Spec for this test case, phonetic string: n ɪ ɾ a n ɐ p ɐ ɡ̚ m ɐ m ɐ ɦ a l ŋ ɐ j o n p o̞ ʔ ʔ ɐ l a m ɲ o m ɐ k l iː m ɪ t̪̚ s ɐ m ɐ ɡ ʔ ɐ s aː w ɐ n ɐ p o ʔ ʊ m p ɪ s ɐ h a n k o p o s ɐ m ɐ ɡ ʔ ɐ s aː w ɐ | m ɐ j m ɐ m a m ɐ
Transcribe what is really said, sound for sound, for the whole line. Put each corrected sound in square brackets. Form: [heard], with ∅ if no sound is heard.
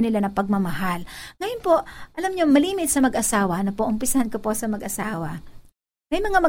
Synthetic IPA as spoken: n ɪ [l] a n ɐ p ɐ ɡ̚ m ɐ m ɐ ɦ a l ŋ ɐ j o n p o̞ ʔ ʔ ɐ l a m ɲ o m ɐ [∅] l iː m ɪ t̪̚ s ɐ m ɐ ɡ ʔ ɐ s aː w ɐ n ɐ p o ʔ ʊ m p ɪ s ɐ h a n k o p o s ɐ m ɐ ɡ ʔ ɐ s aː w ɐ | m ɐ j m ɐ [ŋ] a m ɐ